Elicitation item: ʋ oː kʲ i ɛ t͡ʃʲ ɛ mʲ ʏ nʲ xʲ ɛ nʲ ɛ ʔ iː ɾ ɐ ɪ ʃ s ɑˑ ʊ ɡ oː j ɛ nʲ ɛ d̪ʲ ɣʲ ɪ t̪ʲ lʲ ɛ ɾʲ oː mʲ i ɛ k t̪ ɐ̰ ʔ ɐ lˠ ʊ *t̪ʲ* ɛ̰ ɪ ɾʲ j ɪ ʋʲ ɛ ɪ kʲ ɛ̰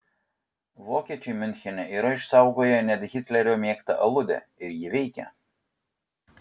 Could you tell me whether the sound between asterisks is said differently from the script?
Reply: yes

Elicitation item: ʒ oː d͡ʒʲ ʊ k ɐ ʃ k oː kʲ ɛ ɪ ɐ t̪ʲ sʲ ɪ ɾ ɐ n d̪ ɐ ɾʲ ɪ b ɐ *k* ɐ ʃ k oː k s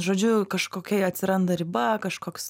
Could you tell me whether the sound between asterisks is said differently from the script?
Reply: no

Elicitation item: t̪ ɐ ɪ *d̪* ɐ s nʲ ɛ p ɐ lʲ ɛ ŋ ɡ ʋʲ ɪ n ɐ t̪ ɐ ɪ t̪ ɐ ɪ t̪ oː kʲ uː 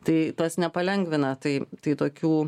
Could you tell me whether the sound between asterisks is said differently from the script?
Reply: yes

